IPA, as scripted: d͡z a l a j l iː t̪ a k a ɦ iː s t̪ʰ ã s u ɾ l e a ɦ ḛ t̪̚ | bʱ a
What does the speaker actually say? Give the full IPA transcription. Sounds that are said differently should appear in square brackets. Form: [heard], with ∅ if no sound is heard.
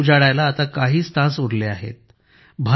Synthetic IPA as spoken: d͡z a [ɽ] a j l [aː] t̪ a k a ɦ iː s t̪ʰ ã s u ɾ l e a ɦ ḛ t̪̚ | bʱ a